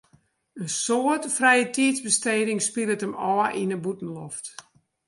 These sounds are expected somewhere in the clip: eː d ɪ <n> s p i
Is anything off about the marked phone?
yes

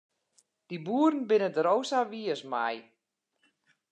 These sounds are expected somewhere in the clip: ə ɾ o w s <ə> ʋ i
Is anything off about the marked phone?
yes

